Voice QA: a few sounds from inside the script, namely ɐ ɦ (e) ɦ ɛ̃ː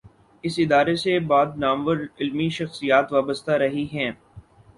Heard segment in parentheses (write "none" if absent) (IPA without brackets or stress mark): i